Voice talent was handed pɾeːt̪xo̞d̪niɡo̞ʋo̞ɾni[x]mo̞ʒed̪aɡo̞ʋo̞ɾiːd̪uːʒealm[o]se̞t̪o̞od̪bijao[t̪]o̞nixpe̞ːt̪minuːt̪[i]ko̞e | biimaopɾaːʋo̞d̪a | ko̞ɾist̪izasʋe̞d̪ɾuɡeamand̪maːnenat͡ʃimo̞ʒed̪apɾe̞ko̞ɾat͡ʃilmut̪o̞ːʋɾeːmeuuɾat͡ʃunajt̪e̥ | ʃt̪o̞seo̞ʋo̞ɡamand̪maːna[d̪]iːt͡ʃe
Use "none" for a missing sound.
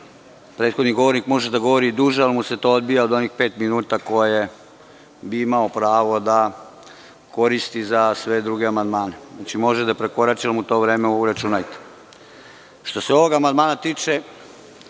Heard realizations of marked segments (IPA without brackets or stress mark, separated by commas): k, u, d̪, a, t̪